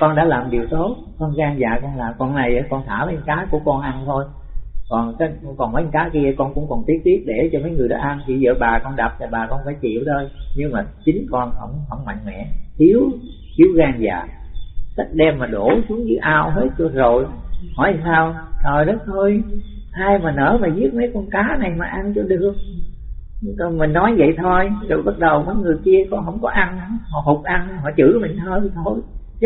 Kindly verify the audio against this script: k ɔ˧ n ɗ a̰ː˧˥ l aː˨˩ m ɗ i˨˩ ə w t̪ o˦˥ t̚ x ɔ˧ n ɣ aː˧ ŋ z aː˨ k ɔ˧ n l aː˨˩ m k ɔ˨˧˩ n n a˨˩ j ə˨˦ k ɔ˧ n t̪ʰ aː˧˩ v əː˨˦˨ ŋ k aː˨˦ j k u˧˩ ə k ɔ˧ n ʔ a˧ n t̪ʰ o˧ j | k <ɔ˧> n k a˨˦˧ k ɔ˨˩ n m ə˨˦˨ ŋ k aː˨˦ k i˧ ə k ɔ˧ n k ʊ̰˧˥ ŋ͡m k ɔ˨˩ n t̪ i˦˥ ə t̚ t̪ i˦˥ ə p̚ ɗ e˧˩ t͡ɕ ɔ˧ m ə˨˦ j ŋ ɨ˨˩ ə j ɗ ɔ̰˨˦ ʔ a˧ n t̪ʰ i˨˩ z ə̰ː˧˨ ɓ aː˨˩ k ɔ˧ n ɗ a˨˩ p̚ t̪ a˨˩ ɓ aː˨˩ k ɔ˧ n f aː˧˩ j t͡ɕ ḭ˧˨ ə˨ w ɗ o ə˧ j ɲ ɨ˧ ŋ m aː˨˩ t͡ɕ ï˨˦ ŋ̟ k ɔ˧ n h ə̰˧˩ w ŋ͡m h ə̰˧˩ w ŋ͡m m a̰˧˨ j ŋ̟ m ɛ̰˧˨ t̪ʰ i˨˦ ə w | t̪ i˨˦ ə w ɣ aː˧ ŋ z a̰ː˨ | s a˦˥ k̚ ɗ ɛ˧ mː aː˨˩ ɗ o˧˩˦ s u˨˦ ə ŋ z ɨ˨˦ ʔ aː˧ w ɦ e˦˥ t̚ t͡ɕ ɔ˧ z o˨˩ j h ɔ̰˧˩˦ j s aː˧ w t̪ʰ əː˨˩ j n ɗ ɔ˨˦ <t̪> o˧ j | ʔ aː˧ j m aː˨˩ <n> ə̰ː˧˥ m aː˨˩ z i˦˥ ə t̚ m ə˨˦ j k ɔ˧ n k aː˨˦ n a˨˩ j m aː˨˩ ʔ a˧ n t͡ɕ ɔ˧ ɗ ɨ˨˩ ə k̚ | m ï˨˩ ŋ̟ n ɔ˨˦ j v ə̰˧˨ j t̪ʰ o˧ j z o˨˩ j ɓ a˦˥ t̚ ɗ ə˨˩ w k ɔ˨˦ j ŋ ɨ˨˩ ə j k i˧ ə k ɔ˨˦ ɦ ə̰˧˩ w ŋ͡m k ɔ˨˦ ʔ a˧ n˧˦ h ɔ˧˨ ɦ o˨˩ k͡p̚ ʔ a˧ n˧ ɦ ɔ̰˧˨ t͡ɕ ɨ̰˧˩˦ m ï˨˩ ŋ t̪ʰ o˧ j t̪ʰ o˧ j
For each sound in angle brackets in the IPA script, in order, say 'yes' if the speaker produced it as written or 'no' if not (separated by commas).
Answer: no, no, yes